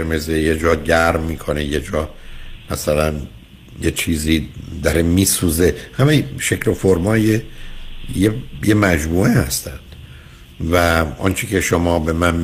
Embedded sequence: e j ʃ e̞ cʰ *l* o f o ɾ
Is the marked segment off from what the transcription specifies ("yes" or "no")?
no